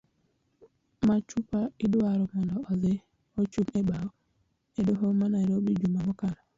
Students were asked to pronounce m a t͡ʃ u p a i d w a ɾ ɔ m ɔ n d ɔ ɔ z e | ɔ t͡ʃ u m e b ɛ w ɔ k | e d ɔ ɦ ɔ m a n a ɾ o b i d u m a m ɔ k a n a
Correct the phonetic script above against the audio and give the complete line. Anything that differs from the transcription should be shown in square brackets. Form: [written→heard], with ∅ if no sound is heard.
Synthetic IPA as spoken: m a t͡ʃ u p a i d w a ɾ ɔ m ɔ n d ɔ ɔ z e | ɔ t͡ʃ u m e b [ɛ→a] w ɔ [k→∅] | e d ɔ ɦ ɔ m a n a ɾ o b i [d→d͡ʒ] u m a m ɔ k a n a